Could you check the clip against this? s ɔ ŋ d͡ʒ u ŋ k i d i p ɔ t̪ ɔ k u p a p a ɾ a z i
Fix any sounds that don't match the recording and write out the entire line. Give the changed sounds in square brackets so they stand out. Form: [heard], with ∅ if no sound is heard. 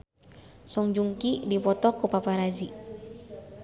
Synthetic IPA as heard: s ɔ ŋ d͡ʒ u ŋ k i d i p ɔ t̪ ɔ k u p a p a ɾ a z i